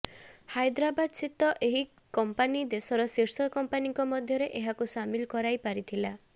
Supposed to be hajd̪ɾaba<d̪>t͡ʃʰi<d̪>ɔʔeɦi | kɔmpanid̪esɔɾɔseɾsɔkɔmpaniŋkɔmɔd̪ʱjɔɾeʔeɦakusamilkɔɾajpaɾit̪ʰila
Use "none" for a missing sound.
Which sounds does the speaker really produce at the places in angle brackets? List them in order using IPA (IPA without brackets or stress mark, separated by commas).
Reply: d̪, t̪